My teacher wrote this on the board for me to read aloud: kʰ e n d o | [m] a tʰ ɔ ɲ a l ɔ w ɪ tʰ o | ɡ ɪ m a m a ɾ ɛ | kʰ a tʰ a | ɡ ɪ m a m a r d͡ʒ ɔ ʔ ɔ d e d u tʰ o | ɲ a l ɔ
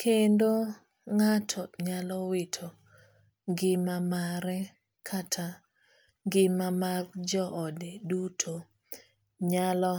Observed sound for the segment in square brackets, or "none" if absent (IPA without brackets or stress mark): ŋ